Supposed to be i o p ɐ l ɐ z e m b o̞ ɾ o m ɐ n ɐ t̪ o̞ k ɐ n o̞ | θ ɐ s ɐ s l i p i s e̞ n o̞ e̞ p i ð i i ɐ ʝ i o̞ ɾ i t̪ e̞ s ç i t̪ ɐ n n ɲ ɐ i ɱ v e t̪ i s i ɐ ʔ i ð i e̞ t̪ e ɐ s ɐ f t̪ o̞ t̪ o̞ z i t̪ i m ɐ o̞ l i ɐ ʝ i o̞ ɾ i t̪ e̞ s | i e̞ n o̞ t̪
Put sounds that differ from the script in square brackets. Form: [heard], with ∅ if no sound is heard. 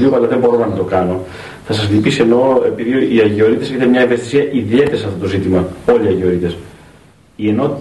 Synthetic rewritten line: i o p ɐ l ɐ [ð] e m b o̞ ɾ o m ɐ n ɐ t̪ o̞ k ɐ n o̞ | θ ɐ s ɐ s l i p i s e̞ n o̞ e̞ p i ð i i ɐ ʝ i o̞ ɾ i t̪ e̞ s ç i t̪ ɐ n [m] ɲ ɐ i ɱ v e t̪ i s i ɐ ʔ i ð i e̞ t̪ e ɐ s ɐ f t̪ o̞ t̪ o̞ z i t̪ i m ɐ o̞ l i ɐ ʝ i o̞ ɾ i t̪ e̞ s | i e̞ n o̞ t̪